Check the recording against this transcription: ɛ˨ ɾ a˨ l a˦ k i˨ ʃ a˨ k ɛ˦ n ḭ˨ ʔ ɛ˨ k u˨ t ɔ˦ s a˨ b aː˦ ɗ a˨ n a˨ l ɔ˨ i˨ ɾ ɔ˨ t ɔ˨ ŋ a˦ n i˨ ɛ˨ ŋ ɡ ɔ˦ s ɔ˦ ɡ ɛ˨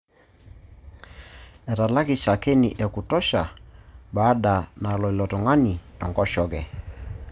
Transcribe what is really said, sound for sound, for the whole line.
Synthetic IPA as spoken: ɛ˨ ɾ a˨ l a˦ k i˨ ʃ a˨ k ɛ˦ n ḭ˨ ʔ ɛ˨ k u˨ t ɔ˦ ʃ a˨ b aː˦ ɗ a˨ n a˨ l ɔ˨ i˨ l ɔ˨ t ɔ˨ ŋ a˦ n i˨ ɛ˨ ŋ ɡ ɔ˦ ʃ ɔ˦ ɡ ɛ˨